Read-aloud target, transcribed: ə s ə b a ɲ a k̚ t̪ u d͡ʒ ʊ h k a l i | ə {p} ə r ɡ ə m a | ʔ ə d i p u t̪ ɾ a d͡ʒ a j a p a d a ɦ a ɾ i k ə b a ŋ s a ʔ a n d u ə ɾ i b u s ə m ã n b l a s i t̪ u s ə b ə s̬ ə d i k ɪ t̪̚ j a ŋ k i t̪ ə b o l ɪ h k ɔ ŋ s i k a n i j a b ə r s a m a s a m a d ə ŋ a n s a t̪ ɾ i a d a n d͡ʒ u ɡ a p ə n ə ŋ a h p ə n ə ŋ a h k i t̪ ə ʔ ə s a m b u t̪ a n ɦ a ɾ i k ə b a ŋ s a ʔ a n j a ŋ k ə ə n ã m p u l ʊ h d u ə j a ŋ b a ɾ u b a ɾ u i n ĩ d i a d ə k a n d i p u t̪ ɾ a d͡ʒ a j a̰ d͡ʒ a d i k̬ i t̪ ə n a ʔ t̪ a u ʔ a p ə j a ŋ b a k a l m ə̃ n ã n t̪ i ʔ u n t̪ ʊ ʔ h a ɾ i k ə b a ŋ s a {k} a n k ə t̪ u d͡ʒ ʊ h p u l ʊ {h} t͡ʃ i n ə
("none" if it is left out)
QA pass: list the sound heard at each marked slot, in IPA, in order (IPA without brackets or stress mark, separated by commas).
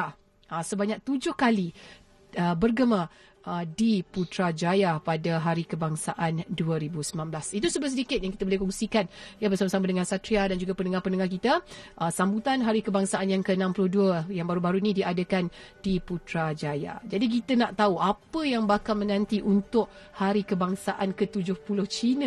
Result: b, ʔ, h